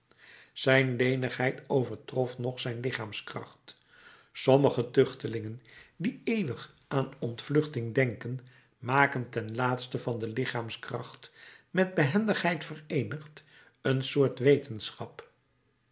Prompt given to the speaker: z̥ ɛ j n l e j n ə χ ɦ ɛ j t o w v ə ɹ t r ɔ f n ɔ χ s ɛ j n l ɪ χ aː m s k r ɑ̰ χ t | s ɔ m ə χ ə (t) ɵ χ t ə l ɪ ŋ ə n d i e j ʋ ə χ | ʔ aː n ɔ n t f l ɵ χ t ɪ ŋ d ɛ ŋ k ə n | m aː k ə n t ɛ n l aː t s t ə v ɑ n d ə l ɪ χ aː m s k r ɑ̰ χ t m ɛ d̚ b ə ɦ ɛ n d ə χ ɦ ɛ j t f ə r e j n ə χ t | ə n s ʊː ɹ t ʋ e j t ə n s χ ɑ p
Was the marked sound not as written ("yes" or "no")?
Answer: no